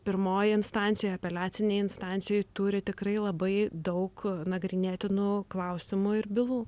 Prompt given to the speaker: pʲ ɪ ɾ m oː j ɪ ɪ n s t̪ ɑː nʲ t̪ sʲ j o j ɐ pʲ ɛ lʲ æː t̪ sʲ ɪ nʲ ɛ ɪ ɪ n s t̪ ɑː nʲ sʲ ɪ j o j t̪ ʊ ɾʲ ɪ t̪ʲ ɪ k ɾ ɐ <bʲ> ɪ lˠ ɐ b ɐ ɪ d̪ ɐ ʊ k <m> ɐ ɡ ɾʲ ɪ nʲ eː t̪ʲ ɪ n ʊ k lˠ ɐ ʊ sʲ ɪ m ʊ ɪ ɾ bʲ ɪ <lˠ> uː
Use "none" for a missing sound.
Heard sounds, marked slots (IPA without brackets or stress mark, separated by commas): none, n, lˠ